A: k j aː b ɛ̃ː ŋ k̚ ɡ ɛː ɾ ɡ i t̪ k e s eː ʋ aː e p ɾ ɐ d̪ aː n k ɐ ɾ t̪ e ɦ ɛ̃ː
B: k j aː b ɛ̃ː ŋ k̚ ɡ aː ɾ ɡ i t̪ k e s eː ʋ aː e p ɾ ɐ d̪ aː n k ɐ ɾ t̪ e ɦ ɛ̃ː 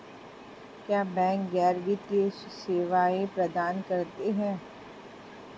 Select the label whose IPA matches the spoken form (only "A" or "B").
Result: A